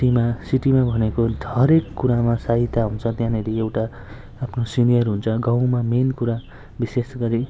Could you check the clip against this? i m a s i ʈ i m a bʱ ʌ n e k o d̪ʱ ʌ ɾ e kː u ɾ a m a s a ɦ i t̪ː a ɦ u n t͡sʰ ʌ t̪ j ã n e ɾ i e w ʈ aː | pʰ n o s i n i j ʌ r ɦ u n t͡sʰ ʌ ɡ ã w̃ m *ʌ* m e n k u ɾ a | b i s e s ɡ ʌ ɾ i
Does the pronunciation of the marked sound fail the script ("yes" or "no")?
yes